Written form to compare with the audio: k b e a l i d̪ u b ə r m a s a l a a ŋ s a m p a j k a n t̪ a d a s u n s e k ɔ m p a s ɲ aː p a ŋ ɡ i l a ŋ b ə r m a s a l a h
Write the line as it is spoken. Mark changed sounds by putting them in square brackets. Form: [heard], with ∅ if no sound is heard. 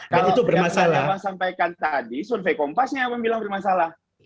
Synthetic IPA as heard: k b [a] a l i [t̪] u b ə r m a s a l a a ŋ s a m p a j k a n t̪ a d [i] s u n [f] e k ɔ m p a s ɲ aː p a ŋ [b] i l a ŋ b ə r m a s a l a h